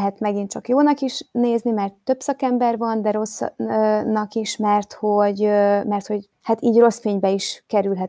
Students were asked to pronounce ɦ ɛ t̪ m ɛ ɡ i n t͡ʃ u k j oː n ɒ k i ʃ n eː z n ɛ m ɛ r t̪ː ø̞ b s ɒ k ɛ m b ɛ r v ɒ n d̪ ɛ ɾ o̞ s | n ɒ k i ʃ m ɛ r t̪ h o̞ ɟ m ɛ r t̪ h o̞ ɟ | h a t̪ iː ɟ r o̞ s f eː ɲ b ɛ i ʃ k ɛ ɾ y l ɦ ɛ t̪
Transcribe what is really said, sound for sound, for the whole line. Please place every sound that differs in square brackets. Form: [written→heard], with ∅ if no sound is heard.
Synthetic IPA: ɦ ɛ t̪ m ɛ ɡ i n t͡ʃ [u→ɒ] k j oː n ɒ k i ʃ n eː z n [ɛ→i] m ɛ r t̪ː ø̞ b s ɒ k ɛ m b ɛ r v ɒ n d̪ ɛ ɾ o̞ s | n ɒ k i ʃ m ɛ r t̪ h o̞ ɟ m ɛ r t̪ h o̞ ɟ | h a t̪ iː ɟ r o̞ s f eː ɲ b ɛ i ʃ k ɛ ɾ y l ɦ ɛ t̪